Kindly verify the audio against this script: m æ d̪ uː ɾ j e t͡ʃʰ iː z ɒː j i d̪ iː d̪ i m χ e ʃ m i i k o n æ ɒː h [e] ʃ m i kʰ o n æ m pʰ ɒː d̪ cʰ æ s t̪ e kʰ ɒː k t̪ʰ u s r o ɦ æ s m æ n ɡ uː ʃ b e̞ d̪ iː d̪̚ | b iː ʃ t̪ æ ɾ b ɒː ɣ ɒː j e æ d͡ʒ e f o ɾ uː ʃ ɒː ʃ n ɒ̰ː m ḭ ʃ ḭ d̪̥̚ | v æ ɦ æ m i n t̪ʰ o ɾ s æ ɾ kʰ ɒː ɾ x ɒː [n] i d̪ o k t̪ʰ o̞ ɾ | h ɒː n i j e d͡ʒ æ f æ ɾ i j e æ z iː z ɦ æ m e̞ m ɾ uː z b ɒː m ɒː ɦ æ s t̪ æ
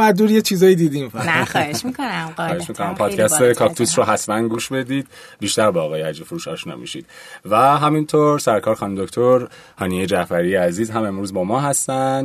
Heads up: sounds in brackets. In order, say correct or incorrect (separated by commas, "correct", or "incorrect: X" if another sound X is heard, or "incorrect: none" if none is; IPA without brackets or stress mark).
correct, correct